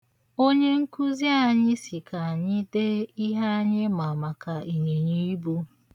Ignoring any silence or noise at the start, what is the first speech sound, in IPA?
o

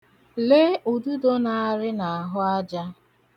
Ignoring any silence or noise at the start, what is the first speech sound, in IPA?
l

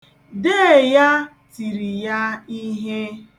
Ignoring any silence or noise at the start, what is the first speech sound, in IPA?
d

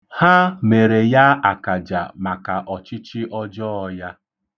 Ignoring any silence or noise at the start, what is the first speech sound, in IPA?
h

